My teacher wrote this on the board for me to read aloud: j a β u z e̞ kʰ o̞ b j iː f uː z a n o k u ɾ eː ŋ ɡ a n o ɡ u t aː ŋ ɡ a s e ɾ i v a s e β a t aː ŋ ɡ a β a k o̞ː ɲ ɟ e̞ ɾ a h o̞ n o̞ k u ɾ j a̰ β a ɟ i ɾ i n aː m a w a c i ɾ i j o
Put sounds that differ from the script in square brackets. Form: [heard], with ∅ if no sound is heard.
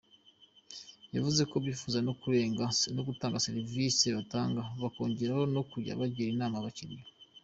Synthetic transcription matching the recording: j a [v] u z e̞ [k] o̞ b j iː f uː z a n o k u ɾ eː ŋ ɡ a n o ɡ u t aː ŋ ɡ a s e ɾ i v [i] s e β a t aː ŋ ɡ a β a k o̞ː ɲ ɟ e̞ ɾ a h o̞ n o̞ k u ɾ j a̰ β a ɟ i ɾ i n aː m a [β] a c i ɾ i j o

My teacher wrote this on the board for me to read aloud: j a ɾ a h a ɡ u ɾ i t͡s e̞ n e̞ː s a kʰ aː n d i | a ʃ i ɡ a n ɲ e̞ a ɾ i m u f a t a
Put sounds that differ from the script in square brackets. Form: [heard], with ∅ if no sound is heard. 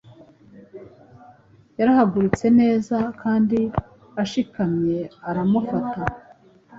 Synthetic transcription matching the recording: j a ɾ a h a ɡ u ɾ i t͡s e̞ n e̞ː [z] a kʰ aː n d i | a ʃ i [k] a [m] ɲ e̞ a ɾ [a] m u f a t a

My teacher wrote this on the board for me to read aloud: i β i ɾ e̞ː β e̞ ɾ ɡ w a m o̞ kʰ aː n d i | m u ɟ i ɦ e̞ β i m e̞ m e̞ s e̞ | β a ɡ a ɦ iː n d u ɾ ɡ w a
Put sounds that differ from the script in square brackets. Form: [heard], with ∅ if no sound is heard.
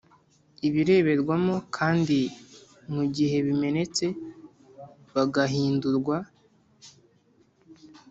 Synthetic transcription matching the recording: i β i ɾ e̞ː β e̞ ɾ ɡ w a m o̞ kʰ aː n d i | m u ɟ i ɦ e̞ β i m e̞ [n] e̞ [t͡s] e̞ | β a ɡ a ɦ iː n d u ɾ ɡ w a

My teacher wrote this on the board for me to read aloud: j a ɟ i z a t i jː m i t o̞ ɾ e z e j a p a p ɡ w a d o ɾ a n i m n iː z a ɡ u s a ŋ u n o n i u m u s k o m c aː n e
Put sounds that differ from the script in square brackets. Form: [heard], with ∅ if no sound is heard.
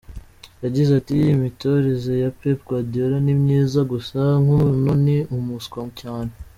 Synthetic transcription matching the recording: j a ɟ i z a t i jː m i t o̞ ɾ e z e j a p [e] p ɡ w a d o ɾ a n i m [ɲ] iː z a ɡ u s a ŋ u n o n i u m u s k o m c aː n e

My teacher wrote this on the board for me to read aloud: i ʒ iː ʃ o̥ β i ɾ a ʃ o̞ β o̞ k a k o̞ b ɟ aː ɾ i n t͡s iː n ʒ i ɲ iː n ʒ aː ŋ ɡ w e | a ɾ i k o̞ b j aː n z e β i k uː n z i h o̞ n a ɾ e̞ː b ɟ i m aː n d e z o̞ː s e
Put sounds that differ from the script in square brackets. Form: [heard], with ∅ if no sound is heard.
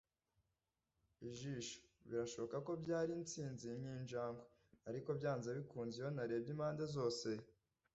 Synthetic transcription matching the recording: i ʒ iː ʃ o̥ β i ɾ a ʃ o̞ β o̞ k a k o̞ b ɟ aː ɾ i n t͡s iː n [z] i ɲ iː n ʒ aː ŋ ɡ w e | a ɾ i k o̞ b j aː n z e β i k uː n z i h o̞ n a ɾ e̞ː b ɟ i m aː n d e z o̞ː s e

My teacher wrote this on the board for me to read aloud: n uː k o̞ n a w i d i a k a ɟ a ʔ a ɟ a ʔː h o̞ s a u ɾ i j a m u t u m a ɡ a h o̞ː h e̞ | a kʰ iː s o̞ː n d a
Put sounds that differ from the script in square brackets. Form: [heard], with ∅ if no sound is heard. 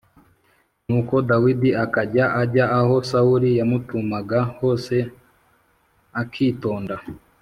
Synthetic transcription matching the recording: n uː k o̞ [d] a w i d i a k a ɟ a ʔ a ɟ a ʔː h o̞ s a u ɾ i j a m u t u m a ɡ a h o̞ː [s] e̞ | a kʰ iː [t] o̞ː n d a

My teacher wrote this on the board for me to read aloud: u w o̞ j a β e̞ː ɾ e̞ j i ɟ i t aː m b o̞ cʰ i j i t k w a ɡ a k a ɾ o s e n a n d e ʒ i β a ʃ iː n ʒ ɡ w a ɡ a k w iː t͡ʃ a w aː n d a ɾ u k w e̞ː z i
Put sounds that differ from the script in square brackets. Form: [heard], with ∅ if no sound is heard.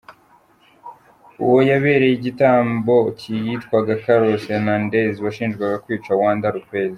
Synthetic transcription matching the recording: u w o̞ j a β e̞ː ɾ e̞ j i ɟ i t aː m b o̞ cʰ i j i t k w a ɡ a k a ɾ o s e n a n d e [z] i β a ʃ iː n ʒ ɡ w a ɡ a k w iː t͡ʃ a w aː n d a ɾ u k w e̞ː z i

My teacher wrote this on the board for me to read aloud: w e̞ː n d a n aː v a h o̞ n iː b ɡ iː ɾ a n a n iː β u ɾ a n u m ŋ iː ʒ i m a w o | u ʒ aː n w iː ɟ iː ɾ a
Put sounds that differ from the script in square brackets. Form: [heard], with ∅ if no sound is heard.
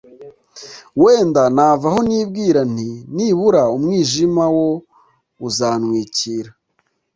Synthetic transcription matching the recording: w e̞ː n d a n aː v a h o̞ n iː b ɡ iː ɾ a n [i] n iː β u ɾ a [∅] u m ŋ iː ʒ i m a w o | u [z] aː n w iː [c] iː ɾ a

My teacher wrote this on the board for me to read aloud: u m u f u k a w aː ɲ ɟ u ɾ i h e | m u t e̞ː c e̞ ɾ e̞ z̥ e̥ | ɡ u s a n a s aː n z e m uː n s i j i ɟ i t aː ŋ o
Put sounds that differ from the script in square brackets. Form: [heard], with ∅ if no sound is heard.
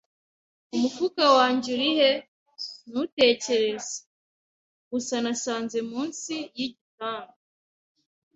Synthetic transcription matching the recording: u m u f u k a w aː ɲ ɟ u ɾ i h e | [n] u t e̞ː c e̞ ɾ e̞ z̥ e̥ | ɡ u s a n a s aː n z e m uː n s i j i ɟ i t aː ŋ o

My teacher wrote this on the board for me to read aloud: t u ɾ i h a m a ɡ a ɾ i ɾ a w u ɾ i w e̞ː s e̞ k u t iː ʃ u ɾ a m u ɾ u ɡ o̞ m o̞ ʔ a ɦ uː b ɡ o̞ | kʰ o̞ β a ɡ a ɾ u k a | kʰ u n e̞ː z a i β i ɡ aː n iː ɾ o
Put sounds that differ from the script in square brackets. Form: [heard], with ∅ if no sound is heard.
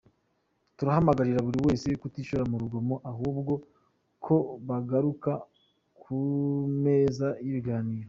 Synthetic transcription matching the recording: t u ɾ [a] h a m a ɡ a ɾ i ɾ a [β] u ɾ i w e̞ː s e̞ k u t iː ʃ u ɾ a m u ɾ u ɡ o̞ m o̞ ʔ a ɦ uː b ɡ o̞ | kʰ o̞ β a ɡ a ɾ u k a | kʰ u [m] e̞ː z a i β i ɡ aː n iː ɾ o

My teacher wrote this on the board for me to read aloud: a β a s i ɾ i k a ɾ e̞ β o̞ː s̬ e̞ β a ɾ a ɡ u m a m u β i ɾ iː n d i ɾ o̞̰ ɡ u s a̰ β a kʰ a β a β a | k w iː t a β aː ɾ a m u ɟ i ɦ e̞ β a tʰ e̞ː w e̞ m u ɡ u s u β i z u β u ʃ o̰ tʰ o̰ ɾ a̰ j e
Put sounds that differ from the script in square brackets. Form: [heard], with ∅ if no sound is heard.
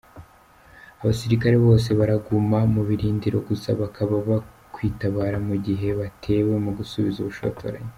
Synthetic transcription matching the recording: a β a s i ɾ i k a ɾ e̞ β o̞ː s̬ e̞ β a ɾ a ɡ u m a m u β i ɾ iː n d i ɾ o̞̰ ɡ u s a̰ β a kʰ a β a β a | k w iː t a β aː ɾ a m u ɟ i ɦ e̞ β a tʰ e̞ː w e̞ m u ɡ u s u β i z u β u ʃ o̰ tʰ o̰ ɾ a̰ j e

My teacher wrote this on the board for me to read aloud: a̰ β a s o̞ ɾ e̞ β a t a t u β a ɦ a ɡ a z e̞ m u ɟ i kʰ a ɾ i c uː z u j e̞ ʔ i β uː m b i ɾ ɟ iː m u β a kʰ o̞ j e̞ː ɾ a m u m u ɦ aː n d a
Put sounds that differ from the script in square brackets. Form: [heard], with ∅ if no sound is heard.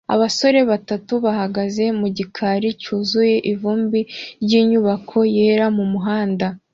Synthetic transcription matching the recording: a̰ β a s o̞ ɾ e̞ β a t a t u β a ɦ a ɡ a z e̞ m u ɟ i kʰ a ɾ i c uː z u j e̞ ʔ i [v] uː m b i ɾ ɟ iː [ɲ] u β a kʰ o̞ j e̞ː ɾ a m u m u ɦ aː n d a

